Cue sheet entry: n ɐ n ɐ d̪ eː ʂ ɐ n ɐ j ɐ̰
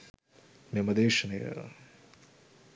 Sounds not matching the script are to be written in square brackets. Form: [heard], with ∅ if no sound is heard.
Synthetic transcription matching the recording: [m] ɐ [m] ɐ d̪ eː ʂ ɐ n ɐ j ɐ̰